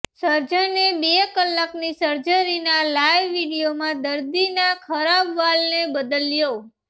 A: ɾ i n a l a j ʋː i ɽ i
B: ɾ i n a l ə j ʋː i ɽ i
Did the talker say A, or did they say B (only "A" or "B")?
A